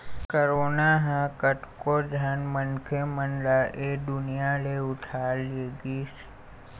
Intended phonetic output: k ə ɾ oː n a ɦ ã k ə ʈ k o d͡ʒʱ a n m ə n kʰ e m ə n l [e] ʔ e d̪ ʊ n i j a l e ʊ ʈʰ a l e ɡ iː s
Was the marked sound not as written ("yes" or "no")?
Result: yes